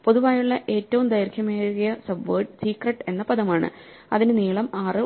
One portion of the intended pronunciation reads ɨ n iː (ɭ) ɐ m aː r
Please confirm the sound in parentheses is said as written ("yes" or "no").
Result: yes